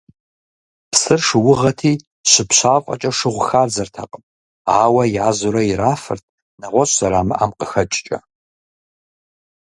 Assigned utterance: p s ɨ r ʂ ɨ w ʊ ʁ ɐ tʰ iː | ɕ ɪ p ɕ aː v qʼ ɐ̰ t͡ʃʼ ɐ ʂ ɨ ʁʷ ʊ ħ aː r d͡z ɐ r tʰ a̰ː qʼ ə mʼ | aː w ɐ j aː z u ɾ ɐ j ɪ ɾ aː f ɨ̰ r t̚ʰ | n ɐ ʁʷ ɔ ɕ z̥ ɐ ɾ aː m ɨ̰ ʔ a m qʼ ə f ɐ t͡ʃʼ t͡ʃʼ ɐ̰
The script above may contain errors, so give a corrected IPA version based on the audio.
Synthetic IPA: p s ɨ r ʂ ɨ w ʊ ʁ ɐ tʰ iː | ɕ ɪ p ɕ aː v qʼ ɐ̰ t͡ʃʼ ɐ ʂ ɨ ʁʷ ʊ x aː r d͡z ɐ r tʰ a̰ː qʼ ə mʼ | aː w ɐ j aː z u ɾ ɐ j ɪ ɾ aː f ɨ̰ r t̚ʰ | n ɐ ʁʷ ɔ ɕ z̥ ɐ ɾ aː m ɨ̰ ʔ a m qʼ ə x ɐ t͡ʃʼ t͡ʃʼ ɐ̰